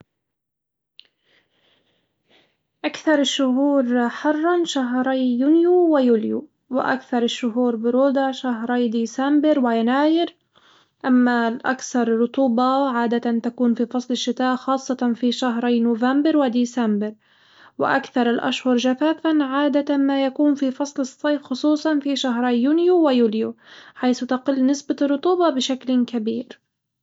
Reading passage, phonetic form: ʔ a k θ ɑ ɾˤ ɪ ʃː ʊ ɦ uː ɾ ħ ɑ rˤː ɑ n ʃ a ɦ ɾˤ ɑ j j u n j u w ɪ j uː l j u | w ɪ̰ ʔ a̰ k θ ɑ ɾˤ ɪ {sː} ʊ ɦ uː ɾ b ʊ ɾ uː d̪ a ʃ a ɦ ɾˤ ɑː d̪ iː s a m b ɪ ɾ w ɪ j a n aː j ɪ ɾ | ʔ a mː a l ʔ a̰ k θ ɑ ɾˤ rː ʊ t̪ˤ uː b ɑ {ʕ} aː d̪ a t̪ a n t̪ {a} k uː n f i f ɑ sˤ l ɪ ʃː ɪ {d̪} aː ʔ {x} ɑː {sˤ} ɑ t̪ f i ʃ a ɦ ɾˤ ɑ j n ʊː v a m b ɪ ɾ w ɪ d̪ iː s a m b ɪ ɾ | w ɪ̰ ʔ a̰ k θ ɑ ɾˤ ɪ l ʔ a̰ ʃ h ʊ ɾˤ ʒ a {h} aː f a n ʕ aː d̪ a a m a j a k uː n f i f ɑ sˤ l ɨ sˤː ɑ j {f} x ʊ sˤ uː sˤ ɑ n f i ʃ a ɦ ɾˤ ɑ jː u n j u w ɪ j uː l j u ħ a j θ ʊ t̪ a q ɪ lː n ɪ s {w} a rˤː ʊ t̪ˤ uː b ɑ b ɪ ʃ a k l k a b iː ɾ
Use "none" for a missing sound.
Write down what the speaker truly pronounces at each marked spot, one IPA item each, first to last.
ʃː, ʕ, a, t̪, x, sˤː, f, f, b

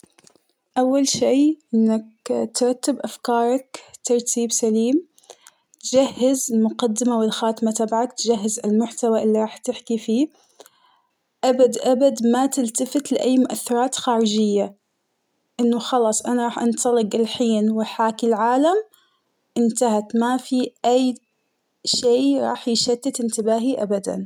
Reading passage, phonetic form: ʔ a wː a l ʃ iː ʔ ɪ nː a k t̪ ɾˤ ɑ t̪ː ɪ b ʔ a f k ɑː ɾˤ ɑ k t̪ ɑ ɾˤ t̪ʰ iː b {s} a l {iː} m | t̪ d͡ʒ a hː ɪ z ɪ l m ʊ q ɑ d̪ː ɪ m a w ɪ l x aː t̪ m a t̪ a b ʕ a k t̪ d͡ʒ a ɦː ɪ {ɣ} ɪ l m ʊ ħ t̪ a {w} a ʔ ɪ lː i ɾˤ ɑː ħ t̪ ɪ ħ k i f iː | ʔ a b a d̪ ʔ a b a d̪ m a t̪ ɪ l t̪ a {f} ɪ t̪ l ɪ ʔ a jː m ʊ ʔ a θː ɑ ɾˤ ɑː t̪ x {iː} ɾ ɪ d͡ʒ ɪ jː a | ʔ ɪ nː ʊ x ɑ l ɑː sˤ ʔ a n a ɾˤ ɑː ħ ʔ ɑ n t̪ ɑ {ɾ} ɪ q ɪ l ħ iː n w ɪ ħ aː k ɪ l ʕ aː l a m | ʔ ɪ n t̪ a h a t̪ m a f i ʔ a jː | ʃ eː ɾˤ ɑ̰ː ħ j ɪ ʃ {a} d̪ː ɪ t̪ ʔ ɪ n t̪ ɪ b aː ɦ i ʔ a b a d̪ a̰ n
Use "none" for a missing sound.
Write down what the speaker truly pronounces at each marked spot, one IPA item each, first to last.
s, iː, z, w, f, aː, l, a

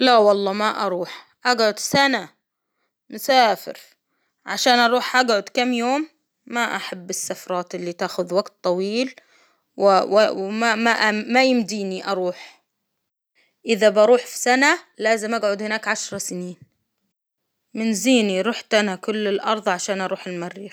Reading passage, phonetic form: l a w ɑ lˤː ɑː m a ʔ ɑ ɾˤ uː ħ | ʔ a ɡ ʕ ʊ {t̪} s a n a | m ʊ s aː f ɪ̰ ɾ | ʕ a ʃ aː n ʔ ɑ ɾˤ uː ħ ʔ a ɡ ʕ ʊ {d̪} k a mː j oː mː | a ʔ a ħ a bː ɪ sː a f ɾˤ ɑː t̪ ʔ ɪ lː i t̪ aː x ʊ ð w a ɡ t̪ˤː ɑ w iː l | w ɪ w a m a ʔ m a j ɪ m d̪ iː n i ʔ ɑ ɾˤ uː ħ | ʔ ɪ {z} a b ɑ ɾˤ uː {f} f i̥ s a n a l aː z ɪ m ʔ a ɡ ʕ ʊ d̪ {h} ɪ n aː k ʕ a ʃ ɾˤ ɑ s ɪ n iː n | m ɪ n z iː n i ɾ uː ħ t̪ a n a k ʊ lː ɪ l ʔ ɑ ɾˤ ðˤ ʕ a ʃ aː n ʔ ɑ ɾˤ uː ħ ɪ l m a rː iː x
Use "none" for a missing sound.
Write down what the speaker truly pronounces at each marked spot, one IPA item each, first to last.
d̪, d̪, ð, ħ, h

